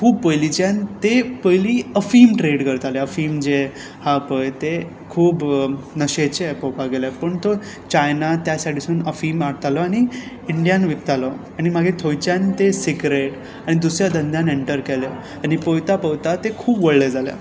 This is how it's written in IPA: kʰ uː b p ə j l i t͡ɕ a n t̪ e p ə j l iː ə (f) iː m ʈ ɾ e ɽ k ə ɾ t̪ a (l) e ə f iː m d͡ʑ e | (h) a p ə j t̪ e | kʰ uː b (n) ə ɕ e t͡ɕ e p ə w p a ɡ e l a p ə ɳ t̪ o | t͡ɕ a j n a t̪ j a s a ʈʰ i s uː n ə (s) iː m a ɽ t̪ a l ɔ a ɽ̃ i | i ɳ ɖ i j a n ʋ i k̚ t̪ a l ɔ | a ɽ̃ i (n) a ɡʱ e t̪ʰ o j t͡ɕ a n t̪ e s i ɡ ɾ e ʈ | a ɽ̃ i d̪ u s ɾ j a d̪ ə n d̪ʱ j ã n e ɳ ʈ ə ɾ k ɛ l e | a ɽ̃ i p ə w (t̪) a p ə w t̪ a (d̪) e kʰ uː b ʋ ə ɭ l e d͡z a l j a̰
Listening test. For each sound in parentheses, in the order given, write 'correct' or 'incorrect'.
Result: correct, correct, correct, correct, incorrect: f, incorrect: m, correct, incorrect: t̪

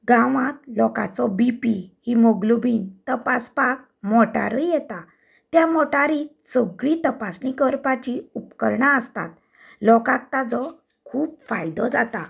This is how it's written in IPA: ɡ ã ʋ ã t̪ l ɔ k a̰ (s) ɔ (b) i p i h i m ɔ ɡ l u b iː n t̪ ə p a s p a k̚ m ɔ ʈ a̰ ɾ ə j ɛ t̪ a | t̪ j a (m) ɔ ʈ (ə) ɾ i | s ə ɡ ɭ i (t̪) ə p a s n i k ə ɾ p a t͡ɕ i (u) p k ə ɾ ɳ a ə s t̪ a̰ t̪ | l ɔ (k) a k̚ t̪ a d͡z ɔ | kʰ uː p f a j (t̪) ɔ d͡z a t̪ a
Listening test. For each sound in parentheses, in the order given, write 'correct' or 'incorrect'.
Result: incorrect: t͡s, correct, correct, incorrect: a, correct, correct, correct, incorrect: d̪

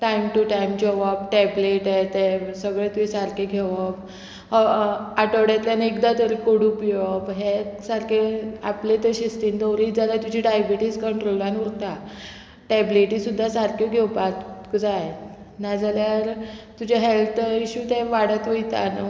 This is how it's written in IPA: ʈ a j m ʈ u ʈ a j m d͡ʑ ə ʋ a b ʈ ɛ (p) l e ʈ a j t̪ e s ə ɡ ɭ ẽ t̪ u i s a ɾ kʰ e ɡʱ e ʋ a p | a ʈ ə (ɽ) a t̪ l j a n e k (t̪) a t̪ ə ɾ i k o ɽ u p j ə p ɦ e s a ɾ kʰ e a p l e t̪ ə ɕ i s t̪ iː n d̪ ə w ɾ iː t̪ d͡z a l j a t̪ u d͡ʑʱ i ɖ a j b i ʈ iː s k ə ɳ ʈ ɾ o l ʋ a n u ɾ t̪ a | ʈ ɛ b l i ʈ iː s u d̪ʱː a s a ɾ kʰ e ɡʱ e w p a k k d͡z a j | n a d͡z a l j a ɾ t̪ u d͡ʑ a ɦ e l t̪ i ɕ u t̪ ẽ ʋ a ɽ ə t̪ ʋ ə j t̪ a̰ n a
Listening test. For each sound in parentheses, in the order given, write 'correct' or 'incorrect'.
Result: incorrect: b, correct, incorrect: d̪

